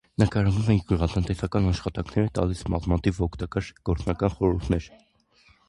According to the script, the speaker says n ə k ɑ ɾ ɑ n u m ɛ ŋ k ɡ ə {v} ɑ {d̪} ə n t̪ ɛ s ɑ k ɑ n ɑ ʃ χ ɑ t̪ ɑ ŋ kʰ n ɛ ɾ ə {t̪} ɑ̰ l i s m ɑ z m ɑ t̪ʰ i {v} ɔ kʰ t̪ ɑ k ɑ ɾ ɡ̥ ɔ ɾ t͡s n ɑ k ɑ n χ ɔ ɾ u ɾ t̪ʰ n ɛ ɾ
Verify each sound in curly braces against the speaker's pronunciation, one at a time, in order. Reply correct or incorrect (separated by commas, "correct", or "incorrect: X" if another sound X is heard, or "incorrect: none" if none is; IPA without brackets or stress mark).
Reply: incorrect: ʁ, incorrect: t̪, correct, correct